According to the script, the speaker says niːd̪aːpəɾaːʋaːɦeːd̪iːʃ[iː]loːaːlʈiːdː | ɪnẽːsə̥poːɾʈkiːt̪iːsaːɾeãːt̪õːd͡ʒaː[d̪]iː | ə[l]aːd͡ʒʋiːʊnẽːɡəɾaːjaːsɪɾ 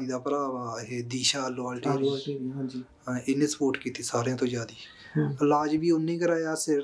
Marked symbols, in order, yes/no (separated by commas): no, yes, yes